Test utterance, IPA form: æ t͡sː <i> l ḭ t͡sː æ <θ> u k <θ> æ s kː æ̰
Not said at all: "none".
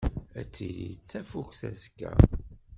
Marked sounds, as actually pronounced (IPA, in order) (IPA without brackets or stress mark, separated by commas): i, f, θ